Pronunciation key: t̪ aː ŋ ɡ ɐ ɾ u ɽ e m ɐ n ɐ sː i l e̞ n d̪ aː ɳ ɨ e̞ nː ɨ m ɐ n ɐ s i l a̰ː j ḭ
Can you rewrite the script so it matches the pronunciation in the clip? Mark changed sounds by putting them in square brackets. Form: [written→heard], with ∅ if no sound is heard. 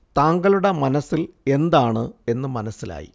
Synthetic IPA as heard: t̪ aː ŋ ɡ ɐ [ɾ→ɭ] u ɽ e m ɐ n ɐ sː i l e̞ n d̪ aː ɳ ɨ e̞ nː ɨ m ɐ n ɐ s i l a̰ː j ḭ